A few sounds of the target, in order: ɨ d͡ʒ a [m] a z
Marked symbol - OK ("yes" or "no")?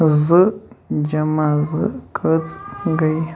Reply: yes